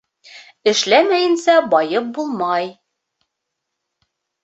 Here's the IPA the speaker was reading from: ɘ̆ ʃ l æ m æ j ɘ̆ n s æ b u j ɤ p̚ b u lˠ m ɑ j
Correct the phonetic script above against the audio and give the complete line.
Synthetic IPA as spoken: ɘ̆ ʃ l æ m æ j ɘ̆ n s æ b ɒ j ɤ p̚ b u lˠ m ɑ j